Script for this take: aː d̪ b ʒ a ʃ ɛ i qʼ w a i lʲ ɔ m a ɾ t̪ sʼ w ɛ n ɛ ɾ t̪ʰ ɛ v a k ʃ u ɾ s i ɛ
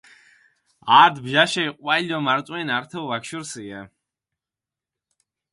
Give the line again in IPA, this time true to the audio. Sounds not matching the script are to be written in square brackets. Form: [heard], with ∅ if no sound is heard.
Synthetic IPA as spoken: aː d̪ b ʒ a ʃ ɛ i qʼ w a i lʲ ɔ m a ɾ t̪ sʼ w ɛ n [a] ɾ t̪ʰ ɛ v a k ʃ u ɾ s i ɛ